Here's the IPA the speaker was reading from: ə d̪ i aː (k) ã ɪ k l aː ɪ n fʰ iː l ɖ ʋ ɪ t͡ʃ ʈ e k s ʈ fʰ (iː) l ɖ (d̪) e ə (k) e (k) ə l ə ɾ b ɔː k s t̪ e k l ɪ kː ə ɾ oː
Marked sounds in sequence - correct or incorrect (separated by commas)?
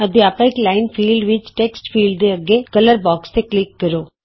incorrect, correct, correct, incorrect, correct